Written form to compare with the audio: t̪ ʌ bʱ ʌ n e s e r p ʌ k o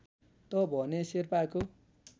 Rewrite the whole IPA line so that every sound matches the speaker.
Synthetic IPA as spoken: t̪ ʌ bʱ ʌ n e s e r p a k o